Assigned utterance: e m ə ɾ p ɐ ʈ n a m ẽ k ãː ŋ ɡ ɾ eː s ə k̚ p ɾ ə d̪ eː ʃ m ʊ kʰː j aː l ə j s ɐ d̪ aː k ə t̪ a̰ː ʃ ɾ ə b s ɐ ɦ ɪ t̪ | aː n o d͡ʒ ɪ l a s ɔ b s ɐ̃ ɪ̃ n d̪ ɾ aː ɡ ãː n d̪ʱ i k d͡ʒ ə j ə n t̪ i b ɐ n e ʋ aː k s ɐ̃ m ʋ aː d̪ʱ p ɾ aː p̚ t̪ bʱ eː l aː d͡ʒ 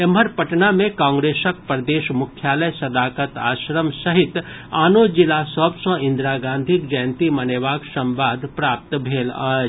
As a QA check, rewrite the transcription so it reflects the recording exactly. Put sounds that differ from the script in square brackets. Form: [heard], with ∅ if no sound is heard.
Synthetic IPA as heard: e m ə ɾ p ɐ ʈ n a m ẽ k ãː ŋ ɡ ɾ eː s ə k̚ p ɾ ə d̪ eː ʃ m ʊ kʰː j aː l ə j s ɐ d̪ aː k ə t̪ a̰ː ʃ ɾ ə [m] s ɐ ɦ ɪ t̪ | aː n o d͡ʒ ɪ l a s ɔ b s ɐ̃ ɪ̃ n d̪ ɾ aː ɡ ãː n d̪ʱ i k d͡ʒ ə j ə n t̪ i [m] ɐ n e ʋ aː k s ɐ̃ m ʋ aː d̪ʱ p ɾ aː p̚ t̪ bʱ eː l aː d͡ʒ